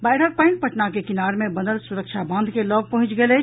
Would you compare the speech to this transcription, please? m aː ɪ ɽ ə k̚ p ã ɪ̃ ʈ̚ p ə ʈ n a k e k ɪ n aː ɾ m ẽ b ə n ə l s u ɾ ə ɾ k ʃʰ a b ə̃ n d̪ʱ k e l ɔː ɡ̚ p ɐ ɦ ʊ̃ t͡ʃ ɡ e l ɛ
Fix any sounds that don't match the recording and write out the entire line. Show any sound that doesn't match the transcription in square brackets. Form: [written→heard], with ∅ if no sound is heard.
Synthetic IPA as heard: [m→b] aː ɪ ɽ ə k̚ p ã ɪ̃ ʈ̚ p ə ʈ n a k e k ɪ n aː ɾ m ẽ b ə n ə l s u ɾ ə [ɾ→∅] k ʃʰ a b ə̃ n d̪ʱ k e l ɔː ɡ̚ p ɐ ɦ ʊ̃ t͡ʃ ɡ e l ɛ